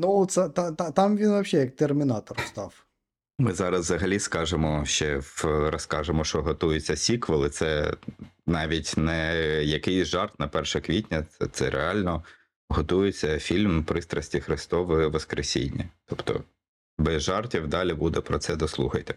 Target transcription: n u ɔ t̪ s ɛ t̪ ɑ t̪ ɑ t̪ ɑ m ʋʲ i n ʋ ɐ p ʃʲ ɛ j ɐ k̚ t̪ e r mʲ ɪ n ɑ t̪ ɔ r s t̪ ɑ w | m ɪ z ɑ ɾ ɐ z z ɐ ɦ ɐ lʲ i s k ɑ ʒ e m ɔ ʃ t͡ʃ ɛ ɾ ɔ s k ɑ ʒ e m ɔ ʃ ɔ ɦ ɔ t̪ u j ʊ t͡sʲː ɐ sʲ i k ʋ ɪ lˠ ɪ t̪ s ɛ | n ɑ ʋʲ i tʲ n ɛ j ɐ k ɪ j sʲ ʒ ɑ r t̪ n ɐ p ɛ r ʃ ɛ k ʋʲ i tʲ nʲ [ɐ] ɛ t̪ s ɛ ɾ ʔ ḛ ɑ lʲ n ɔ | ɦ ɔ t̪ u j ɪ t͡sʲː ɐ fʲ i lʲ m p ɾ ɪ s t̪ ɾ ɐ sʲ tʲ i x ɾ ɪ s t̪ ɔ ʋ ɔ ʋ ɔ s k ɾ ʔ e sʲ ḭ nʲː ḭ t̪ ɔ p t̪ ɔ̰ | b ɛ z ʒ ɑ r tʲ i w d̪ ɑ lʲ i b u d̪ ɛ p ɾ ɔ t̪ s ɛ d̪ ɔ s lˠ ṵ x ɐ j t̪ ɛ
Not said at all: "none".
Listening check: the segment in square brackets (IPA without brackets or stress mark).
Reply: ɐ